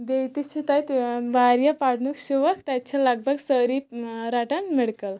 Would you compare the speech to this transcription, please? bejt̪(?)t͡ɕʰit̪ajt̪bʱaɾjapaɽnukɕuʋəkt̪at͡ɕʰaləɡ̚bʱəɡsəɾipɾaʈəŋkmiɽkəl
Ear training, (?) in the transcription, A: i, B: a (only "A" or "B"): A